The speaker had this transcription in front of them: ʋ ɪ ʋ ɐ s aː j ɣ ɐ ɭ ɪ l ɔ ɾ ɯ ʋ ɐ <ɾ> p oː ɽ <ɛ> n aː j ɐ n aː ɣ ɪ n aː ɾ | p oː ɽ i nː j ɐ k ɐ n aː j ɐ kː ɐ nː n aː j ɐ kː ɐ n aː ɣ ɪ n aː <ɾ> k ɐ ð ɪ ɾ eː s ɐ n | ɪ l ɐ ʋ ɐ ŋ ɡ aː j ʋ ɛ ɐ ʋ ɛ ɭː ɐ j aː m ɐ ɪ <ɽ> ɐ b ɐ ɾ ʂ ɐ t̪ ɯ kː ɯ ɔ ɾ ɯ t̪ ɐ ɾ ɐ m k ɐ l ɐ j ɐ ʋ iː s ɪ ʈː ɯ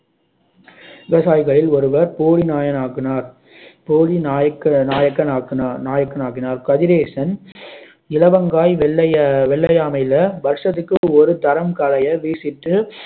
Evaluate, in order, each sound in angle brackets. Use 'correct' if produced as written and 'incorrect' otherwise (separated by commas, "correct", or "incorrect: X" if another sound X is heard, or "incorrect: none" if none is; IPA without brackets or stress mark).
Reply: correct, incorrect: i, correct, incorrect: l